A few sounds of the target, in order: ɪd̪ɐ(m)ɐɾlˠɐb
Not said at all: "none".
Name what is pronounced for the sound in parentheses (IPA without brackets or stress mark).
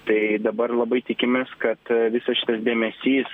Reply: b